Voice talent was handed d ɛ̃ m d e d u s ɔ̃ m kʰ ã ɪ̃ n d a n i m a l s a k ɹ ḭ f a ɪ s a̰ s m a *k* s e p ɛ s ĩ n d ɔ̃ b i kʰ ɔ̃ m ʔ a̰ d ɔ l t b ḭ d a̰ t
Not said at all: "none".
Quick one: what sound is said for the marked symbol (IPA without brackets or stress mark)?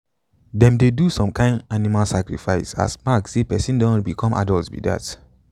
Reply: k